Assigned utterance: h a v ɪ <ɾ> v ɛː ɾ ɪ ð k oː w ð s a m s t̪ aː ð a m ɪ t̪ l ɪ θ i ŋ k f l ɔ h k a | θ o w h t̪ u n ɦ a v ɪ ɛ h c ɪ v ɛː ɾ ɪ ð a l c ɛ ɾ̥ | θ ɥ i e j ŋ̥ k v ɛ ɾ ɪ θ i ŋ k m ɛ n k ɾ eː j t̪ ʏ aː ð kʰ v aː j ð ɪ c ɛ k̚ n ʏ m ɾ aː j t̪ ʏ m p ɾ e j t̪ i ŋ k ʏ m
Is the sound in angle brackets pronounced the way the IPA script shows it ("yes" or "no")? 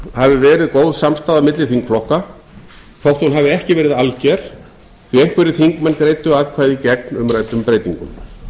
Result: no